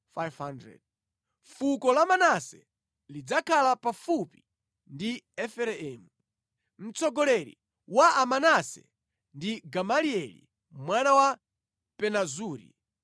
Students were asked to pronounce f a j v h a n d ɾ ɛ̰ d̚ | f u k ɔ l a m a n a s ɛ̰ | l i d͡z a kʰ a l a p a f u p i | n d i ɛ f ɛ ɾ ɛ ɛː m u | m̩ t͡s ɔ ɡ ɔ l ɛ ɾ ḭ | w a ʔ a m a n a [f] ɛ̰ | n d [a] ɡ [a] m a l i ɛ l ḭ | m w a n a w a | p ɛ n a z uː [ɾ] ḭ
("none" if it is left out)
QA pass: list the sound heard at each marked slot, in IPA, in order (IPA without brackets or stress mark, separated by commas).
s, i, a, ɾ